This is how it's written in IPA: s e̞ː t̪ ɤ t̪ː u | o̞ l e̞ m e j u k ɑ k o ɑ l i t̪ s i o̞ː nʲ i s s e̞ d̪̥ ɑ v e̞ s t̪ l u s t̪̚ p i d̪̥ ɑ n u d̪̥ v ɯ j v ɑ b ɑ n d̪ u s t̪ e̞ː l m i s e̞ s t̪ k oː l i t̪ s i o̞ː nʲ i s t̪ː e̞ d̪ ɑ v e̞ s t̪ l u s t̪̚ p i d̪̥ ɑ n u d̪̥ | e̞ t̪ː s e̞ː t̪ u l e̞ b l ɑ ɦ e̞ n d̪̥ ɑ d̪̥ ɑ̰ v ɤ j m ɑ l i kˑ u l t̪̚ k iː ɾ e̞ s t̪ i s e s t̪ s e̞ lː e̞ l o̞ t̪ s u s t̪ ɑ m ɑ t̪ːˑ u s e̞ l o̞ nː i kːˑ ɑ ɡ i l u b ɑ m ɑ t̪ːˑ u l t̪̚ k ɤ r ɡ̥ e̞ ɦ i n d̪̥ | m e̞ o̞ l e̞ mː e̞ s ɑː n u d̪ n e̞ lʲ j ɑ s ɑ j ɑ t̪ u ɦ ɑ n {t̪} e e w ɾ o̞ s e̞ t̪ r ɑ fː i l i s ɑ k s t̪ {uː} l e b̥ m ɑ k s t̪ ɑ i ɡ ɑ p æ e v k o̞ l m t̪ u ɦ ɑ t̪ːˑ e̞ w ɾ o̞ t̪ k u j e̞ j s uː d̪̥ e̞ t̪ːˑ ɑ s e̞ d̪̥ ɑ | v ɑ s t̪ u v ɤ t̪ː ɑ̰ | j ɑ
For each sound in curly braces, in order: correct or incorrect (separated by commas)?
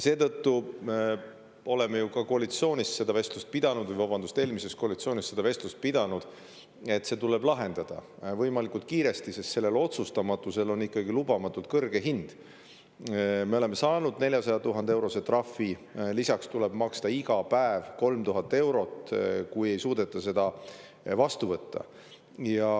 incorrect, incorrect